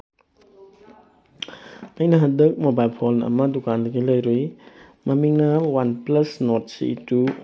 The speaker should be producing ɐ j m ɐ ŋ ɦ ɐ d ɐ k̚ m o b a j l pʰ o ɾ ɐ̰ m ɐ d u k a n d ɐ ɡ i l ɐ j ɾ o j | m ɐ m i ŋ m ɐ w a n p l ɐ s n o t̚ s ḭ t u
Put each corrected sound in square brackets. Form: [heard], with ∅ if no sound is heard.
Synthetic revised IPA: ɐ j [n] ɐ [∅] ɦ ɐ d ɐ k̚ m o b a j l pʰ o [l] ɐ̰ m ɐ d u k a n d ɐ ɡ i l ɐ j ɾ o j | m ɐ m i ŋ [n] ɐ w a n p l ɐ s n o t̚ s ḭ t u